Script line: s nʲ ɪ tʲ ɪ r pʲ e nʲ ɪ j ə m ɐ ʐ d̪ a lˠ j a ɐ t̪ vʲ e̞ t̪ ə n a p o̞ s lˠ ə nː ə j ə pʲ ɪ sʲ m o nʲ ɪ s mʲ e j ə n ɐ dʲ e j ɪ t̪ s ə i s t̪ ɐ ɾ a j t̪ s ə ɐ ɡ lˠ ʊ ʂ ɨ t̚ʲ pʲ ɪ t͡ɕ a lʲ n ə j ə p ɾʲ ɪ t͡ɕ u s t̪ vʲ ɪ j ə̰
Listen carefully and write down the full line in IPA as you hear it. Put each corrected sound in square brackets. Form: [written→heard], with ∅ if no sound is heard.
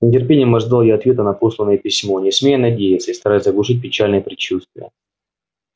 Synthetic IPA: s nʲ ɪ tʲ ɪ r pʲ e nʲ ɪ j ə m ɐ ʐ d̪ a lˠ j a ɐ t̪ vʲ e̞ t̪ ə n [a→ɐ] p o̞ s lˠ ə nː ə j ə pʲ ɪ sʲ m o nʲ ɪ s mʲ e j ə n ɐ dʲ e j ɪ t̪ s ə i s t̪ ɐ ɾ a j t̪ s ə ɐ ɡ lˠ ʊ ʂ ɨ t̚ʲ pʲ ɪ t͡ɕ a lʲ n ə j ə p ɾʲ ɪ t͡ɕ u s t̪ vʲ ɪ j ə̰